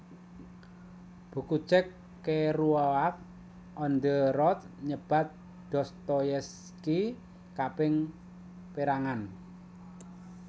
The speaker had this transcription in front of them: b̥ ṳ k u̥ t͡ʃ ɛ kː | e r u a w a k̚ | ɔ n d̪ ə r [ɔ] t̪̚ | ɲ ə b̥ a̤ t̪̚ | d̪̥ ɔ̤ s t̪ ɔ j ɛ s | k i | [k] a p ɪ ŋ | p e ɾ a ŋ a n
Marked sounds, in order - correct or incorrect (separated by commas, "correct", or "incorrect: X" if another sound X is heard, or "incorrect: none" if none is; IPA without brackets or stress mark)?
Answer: correct, correct